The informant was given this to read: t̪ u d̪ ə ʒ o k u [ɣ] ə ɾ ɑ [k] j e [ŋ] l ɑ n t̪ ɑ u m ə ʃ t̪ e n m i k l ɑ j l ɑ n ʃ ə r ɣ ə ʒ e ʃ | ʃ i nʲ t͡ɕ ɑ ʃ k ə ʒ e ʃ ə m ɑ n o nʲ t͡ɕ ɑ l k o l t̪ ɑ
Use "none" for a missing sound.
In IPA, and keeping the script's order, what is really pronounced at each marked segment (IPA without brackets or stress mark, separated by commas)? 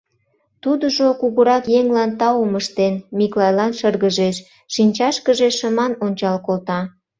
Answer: ɣ, k, ŋ